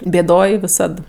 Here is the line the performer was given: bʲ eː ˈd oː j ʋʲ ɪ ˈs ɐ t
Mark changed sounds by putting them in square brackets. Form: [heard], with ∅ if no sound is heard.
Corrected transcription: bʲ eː ˈd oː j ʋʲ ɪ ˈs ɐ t

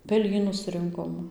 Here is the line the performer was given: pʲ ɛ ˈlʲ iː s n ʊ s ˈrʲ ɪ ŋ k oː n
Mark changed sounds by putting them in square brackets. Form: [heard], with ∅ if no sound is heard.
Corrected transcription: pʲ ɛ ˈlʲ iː [∅] n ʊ s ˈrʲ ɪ ŋ k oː [m]

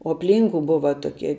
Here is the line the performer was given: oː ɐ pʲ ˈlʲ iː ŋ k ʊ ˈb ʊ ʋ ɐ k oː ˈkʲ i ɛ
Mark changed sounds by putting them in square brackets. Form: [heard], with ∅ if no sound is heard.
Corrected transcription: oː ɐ pʲ ˈlʲ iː ŋ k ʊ ˈb ʊ ʋ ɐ [t] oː ˈkʲ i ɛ

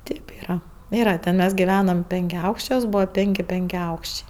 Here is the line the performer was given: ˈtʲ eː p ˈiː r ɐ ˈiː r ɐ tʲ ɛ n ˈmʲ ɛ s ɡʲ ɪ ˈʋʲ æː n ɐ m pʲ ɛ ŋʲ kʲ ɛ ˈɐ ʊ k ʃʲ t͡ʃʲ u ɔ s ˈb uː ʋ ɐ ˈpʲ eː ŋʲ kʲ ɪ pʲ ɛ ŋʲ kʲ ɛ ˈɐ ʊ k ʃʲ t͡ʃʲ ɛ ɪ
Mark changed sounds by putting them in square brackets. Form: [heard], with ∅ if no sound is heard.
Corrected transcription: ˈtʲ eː p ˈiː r ɐ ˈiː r ɐ tʲ ɛ n ˈmʲ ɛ s ɡʲ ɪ ˈʋʲ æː n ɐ m pʲ ɛ ŋʲ kʲ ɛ ˈɐ ʊ k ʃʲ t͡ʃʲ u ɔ s ˈb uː ʋ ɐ ˈpʲ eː ŋʲ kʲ ɪ pʲ ɛ ŋʲ kʲ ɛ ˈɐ ʊ k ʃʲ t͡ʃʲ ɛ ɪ

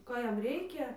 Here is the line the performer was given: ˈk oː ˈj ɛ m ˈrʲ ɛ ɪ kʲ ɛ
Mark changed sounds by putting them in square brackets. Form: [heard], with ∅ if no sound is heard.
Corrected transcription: ˈk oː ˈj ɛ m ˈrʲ ɛ ɪ kʲ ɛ

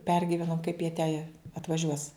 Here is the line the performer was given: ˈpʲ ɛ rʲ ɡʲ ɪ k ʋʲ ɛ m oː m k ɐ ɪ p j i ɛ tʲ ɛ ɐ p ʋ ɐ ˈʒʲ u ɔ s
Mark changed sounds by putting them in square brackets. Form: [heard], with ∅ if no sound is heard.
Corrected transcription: ˈpʲ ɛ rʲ ɡʲ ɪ [∅] ʋʲ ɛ [n] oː m k ɐ ɪ p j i ɛ tʲ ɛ ɐ [t] ʋ ɐ ˈʒʲ u ɔ s

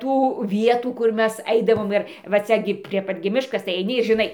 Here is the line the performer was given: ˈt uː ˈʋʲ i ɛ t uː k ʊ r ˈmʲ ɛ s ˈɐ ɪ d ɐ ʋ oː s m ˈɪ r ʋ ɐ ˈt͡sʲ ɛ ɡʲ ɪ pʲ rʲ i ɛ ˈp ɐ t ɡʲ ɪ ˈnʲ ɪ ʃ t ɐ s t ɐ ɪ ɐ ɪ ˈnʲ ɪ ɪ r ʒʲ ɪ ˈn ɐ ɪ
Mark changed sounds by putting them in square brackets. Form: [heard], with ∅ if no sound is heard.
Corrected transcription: ˈt uː ˈʋʲ i ɛ t uː k ʊ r ˈmʲ ɛ s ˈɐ ɪ d ɐ ʋ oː [∅] m ˈɪ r ʋ ɐ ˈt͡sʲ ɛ ɡʲ ɪ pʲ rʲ i ɛ ˈp ɐ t ɡʲ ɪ [ˈmʲ] ɪ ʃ [k] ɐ s t ɐ ɪ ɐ ɪ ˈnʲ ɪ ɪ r ʒʲ ɪ ˈn ɐ ɪ

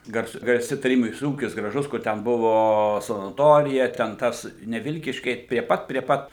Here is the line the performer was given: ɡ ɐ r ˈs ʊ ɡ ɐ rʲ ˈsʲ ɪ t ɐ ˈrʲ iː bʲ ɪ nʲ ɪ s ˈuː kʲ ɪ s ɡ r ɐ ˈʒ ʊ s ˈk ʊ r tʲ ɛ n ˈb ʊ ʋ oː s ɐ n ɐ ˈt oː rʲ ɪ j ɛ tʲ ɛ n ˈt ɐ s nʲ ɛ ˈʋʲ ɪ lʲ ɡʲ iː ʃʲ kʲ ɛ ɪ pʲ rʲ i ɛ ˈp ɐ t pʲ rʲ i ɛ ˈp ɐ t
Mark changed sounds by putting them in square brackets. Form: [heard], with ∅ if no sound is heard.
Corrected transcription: ɡ ɐ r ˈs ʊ ɡ ɐ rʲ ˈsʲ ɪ t ɐ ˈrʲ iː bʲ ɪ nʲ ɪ s ˈuː kʲ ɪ s ɡ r ɐ ˈʒ ʊ s ˈk ʊ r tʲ ɛ n ˈb ʊ ʋ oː s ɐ n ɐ ˈt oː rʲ ɪ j ɛ tʲ ɛ n ˈt ɐ s nʲ ɛ ˈʋʲ ɪ lʲ [kʲ] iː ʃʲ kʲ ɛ ɪ pʲ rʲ i ɛ ˈp ɐ t pʲ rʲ i ɛ ˈp ɐ t

